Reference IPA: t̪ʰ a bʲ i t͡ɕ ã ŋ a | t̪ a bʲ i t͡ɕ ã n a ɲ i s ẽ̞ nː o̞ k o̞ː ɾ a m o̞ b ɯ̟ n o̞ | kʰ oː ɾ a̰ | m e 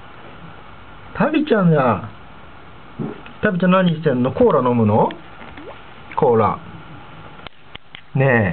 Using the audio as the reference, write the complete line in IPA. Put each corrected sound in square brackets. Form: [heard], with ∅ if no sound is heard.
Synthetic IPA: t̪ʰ a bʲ i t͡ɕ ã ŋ a | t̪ a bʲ i t͡ɕ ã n a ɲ i s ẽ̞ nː o̞ k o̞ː ɾ a [n] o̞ [m] ɯ̟ n o̞ | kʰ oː ɾ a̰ | [n] e